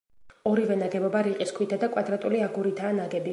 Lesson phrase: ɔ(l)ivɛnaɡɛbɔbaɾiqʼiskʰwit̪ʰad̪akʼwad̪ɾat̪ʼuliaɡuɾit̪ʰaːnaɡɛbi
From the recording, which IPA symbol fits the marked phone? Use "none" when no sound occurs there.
ɾ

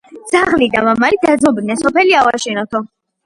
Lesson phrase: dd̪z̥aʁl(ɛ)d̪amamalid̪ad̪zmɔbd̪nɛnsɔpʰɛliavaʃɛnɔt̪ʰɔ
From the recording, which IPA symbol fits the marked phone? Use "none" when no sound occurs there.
i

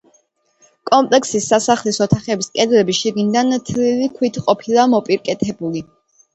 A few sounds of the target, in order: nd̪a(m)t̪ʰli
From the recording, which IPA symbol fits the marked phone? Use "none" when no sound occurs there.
n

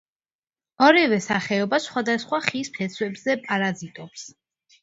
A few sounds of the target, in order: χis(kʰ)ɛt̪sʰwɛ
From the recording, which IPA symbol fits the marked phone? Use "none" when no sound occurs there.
pʰ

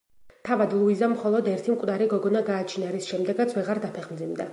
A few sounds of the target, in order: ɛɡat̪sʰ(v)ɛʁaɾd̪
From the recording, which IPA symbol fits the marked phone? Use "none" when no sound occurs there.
v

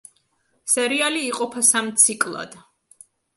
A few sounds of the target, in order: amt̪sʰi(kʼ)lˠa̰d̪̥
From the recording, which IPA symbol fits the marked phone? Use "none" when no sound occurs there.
kʼ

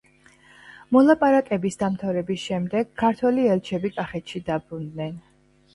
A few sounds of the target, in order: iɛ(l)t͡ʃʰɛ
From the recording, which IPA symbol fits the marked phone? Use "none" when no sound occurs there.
l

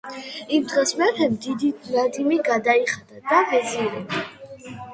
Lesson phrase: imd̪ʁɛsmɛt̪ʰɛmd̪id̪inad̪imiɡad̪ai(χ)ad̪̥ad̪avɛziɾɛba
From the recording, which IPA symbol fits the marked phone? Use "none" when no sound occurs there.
χ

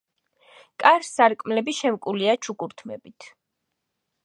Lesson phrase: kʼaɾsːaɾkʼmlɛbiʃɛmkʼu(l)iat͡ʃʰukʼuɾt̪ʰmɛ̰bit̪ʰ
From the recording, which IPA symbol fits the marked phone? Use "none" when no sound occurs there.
l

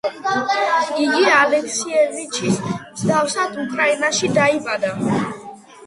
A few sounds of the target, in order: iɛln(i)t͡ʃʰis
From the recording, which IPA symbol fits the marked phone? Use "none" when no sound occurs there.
i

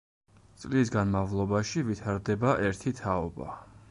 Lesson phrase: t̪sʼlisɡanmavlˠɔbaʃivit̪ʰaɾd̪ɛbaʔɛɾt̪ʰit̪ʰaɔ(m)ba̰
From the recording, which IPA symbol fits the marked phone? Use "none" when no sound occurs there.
none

